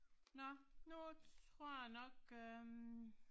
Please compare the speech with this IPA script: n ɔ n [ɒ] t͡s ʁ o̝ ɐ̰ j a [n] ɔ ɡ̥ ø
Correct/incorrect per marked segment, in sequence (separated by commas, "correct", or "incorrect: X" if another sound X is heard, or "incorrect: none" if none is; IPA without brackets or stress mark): incorrect: u, correct